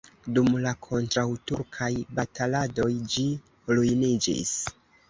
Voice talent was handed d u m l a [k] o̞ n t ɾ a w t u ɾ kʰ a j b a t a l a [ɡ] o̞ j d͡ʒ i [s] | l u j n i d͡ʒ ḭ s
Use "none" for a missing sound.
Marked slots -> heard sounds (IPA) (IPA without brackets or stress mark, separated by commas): kʰ, d, none